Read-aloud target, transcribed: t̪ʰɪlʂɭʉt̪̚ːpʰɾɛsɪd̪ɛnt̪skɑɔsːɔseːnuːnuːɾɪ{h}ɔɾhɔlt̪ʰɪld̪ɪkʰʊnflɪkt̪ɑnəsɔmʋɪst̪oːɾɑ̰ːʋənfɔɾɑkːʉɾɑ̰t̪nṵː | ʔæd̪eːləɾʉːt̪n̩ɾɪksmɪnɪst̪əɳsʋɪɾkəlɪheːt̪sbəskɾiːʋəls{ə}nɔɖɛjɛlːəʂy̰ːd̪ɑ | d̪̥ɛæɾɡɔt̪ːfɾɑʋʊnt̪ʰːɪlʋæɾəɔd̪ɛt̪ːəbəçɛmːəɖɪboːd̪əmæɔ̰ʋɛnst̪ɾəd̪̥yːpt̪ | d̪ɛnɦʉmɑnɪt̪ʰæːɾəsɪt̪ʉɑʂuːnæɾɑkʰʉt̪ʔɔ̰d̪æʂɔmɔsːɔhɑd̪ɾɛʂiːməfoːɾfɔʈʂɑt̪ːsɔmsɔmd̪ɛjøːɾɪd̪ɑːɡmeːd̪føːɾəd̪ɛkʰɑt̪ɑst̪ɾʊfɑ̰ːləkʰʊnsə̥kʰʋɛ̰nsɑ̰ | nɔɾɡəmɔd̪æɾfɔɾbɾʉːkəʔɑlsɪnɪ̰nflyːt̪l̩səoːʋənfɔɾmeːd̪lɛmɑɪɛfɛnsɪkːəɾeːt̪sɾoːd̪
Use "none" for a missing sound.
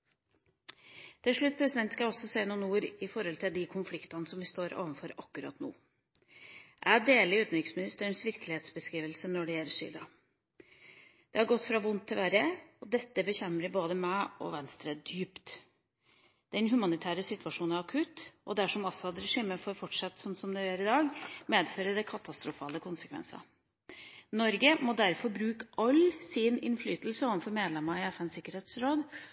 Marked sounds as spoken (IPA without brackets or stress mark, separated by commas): f, ə